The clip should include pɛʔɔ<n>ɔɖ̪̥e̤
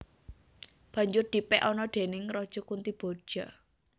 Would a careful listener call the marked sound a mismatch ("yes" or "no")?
no